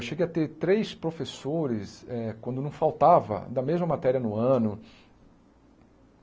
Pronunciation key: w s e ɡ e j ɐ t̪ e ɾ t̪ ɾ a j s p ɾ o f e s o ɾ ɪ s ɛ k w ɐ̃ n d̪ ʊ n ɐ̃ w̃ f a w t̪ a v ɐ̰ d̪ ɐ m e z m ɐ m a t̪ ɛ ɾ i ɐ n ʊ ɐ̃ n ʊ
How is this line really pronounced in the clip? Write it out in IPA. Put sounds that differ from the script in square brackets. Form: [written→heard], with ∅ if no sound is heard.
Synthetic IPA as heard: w [s→ʃ] e ɡ e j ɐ t̪ e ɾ t̪ ɾ [a→e] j s p ɾ o f e s o ɾ ɪ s ɛ k w ɐ̃ n d̪ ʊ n ɐ̃ w̃ f a w t̪ a v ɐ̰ d̪ ɐ m e z m ɐ m a t̪ ɛ ɾ i ɐ n ʊ ɐ̃ n ʊ